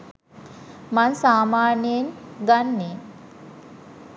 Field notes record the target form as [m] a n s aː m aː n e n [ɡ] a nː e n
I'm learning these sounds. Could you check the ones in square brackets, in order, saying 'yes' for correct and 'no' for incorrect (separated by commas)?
yes, yes